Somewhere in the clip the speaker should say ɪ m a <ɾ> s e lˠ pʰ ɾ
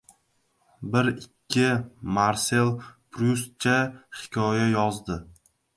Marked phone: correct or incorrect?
correct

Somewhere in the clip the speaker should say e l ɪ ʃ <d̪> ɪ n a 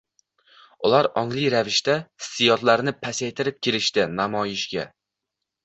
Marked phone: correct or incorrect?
incorrect: t̪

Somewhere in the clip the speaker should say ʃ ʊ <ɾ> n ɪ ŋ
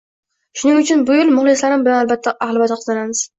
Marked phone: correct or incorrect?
incorrect: none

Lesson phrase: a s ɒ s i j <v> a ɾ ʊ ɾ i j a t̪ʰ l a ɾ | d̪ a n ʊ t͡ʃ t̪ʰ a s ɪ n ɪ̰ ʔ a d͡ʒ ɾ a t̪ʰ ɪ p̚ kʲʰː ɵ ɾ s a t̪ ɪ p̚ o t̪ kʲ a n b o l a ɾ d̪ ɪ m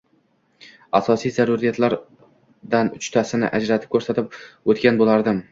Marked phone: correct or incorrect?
incorrect: z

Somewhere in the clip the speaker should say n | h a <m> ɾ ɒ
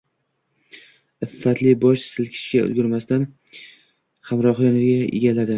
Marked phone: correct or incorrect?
correct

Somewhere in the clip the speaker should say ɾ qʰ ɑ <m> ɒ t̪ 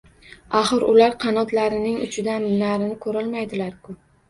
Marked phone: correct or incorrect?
incorrect: n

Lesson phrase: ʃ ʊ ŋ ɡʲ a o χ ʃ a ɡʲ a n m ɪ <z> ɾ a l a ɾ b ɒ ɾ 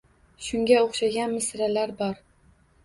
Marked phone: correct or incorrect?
incorrect: s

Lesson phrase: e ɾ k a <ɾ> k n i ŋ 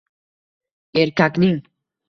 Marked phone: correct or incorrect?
incorrect: none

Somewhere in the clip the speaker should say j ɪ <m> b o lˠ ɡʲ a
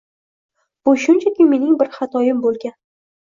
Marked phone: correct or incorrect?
correct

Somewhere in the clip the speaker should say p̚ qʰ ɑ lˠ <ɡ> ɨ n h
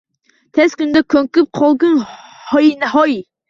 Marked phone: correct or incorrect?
correct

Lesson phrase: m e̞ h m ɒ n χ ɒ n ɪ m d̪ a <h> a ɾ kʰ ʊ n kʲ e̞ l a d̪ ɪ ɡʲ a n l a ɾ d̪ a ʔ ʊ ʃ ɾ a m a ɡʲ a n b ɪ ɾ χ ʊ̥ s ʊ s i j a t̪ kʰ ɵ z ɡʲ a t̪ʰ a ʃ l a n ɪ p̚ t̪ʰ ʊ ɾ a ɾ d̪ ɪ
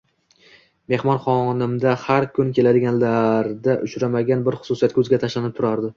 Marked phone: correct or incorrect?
correct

